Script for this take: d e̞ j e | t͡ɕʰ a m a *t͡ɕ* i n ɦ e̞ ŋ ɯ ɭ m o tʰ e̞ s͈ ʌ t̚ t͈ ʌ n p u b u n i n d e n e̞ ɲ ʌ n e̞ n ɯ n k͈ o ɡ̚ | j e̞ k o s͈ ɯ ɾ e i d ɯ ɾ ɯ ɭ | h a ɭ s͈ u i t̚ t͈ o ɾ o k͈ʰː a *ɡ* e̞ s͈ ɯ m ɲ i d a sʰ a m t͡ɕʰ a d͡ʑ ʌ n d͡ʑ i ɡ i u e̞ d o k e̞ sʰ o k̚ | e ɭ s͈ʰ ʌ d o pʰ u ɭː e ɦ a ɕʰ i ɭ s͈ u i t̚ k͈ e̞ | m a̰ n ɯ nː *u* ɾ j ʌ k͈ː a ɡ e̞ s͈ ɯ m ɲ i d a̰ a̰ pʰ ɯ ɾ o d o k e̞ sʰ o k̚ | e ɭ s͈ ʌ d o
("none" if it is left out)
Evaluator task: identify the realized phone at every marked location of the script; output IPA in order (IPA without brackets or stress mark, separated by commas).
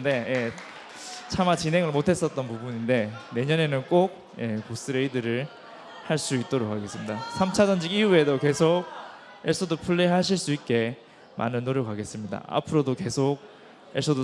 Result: t͡ɕ, ɡ, o